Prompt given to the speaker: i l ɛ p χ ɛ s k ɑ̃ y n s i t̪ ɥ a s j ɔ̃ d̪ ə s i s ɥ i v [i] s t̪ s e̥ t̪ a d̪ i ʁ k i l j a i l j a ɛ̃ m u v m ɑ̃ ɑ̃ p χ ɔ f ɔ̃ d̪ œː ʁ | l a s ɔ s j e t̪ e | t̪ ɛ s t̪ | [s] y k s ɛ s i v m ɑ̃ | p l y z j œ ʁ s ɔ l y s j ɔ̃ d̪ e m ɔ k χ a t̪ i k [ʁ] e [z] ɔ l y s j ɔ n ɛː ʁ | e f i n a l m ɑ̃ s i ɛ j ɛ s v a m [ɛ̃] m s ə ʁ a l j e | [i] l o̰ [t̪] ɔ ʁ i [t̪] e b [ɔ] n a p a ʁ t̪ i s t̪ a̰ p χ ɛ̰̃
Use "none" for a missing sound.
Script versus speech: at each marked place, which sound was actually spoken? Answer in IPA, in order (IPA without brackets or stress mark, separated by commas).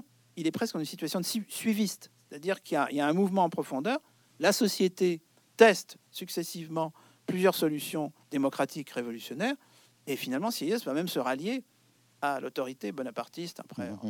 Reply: i, s, ʁ, v, ɛ, a, t̪, t̪, ɔ